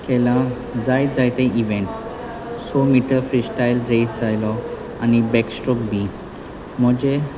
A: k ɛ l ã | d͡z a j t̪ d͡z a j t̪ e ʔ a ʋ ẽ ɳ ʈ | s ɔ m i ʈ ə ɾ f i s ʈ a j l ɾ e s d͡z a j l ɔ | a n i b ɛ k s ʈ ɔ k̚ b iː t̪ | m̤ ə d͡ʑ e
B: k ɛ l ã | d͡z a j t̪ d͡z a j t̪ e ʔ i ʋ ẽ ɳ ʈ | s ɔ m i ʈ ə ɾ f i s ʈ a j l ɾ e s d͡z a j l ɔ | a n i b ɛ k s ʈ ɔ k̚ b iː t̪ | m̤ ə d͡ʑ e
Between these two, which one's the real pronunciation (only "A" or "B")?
B